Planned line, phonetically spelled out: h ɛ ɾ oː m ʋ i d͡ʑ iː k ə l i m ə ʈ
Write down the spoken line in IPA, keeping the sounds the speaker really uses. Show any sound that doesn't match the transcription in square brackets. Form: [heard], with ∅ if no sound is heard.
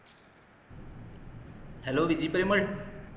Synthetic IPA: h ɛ [l] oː [∅] ʋ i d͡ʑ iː [p] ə [ɾ] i m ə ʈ